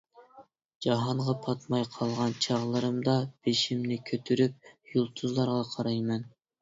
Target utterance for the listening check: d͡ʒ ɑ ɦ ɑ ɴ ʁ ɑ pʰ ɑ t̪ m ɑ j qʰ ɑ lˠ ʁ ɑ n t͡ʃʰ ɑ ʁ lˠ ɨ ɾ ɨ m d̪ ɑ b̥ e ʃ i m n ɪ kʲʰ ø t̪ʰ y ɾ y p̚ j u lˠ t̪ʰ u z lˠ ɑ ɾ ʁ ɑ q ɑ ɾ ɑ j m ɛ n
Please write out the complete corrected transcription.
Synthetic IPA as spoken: d͡ʒ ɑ ɦ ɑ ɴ ʁ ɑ pʰ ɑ t̪ m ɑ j qʰ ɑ lˠ ʁ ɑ n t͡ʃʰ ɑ ʁ lˠ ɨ ɾ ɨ m d̪ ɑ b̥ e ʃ i m n ɪ kʲʰ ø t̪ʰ y ɾ y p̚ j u lˠ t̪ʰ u z lˠ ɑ ɾ ʁ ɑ qʰ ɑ ɾ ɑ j m ɛ n

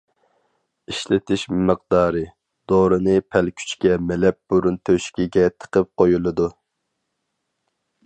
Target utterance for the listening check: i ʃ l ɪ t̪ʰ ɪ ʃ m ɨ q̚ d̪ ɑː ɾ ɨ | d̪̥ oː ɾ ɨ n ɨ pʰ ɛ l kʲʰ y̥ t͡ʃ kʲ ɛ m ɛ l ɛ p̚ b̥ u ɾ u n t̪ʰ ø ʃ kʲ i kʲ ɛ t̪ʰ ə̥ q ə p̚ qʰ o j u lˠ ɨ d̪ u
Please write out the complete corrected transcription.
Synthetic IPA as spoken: i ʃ l ɪ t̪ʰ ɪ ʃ m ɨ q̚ d̪ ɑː ɾ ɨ | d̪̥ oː ɾ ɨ n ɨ pʰ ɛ l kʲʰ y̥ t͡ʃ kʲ ɛ m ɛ l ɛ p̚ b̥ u ɾ u n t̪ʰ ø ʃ kʲ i ɡʲ ɛ t̪ʰ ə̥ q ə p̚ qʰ o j u lˠ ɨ d̪ u

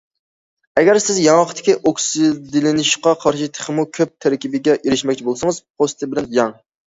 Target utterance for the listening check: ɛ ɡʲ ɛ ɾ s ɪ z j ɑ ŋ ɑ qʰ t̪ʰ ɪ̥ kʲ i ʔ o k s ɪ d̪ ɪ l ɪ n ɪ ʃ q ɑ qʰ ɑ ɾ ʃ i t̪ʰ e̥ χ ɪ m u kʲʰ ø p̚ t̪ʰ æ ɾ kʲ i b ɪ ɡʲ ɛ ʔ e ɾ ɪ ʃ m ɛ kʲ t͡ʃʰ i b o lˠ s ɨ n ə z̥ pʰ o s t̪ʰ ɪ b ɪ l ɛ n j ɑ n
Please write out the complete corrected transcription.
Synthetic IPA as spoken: ɛ ɡʲ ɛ ɾ s ɪ z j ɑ ŋ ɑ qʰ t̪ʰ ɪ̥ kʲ i ʔ o k s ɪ d̪ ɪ l ɪ n ɪ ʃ q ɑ qʰ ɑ ɾ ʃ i t̪ʰ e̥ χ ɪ m u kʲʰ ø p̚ t̪ʰ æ ɾ kʲ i b ɪ ɡʲ ɛ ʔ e ɾ ɪ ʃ m ɛ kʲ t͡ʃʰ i b o lˠ s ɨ ŋ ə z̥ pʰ o s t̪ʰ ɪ b ɪ l ɛ n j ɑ ŋ

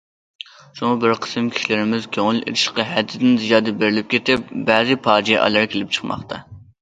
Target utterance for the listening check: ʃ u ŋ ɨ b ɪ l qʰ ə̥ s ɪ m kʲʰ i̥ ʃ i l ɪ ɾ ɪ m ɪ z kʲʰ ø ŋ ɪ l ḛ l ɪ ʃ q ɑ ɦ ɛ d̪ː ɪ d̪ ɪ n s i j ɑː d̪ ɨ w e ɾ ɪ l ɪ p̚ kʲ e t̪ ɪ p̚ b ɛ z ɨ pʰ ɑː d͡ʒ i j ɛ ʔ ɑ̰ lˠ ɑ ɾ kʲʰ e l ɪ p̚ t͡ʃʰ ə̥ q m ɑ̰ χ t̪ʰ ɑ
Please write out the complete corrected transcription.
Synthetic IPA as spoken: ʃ u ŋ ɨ b ɪ ɾ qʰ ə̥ s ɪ m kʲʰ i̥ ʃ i l ɪ ɾ ɪ m ɪ z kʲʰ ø ŋ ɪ l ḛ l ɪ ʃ q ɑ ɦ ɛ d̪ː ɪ d̪ ɪ n z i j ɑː d̪ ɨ b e ɾ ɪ l ɪ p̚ kʲ e t̪ ɪ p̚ b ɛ z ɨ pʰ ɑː d͡ʒ i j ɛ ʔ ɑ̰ lˠ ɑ ɾ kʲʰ e l ɪ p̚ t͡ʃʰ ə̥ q m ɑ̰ χ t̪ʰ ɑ

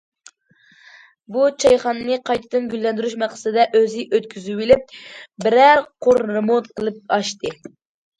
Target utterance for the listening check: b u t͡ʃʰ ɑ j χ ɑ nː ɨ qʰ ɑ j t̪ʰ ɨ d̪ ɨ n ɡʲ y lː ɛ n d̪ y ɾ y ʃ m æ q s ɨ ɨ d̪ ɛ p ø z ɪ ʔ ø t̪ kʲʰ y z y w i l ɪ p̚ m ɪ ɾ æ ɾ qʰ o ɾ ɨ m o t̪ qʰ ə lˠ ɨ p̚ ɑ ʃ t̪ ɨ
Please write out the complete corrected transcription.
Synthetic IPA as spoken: b u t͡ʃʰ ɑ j χ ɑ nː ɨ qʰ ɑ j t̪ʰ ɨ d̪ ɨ n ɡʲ y lː ɛ n d̪ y ɾ y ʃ m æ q s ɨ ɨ d̪ ɛ ʔ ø z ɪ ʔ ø t̪ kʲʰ y z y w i l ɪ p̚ b ɪ ɾ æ ɾ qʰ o ɾ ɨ m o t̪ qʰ ə lˠ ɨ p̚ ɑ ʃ t̪ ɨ

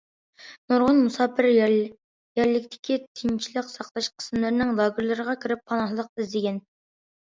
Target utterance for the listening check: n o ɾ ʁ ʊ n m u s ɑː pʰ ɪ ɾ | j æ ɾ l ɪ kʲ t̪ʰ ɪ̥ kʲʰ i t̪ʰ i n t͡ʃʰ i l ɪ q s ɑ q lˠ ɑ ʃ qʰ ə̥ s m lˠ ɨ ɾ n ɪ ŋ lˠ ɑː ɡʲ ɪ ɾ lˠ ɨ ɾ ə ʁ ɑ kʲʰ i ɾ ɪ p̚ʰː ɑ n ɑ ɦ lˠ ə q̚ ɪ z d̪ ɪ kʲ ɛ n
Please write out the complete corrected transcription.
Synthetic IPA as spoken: n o ɾ ʁ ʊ n m u s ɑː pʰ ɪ ɾ | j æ ɾ l ɪ kʲ t̪ʰ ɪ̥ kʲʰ i t̪ʰ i n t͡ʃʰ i l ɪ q s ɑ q lˠ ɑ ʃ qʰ ə̥ s m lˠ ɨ ɾ n ɪ ŋ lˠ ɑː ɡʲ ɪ ɾ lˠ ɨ ɾ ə ʁ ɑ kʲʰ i ɾ ɪ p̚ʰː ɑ n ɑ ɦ lˠ ə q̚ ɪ z d̪ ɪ ɡʲ ɛ n

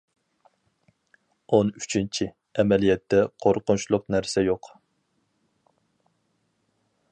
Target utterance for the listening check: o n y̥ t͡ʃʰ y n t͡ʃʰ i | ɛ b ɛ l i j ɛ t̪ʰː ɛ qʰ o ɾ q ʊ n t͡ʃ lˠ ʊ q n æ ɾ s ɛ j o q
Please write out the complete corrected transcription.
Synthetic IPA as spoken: o n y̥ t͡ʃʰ i n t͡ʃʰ i | ɛ m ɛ l i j ɛ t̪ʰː ɛ qʰ o ɾ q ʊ n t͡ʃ lˠ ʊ q n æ ɾ s ɛ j o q

